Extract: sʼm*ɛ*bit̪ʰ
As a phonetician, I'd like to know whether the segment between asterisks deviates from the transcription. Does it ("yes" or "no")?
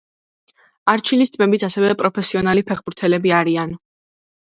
no